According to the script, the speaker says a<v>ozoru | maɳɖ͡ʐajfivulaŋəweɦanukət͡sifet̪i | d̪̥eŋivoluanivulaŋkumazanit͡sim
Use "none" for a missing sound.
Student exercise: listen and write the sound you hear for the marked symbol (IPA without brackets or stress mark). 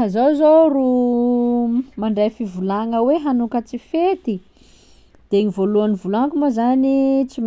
z